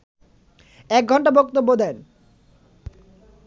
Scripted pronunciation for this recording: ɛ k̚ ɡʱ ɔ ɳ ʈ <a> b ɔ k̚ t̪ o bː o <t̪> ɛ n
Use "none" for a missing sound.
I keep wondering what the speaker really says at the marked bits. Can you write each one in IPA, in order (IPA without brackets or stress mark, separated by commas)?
a, d̪